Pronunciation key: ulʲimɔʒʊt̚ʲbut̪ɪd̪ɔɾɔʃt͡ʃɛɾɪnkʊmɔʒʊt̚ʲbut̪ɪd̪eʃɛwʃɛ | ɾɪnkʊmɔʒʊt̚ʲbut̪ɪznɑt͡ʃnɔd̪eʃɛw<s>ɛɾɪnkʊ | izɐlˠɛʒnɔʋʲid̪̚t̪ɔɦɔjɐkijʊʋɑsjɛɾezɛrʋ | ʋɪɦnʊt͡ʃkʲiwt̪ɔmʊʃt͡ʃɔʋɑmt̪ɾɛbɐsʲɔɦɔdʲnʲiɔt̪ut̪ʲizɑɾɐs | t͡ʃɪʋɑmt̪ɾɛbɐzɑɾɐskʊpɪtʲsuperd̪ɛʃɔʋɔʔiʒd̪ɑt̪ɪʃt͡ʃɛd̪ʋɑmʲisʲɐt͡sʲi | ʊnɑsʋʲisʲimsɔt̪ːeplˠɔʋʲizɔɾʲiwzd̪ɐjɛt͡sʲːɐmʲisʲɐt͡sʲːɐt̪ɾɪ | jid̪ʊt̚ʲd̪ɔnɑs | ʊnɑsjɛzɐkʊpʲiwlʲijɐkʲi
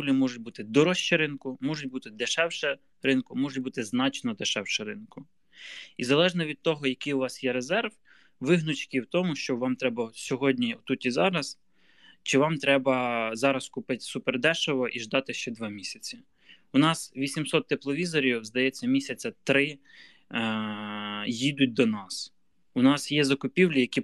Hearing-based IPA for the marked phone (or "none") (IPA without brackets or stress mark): ʃ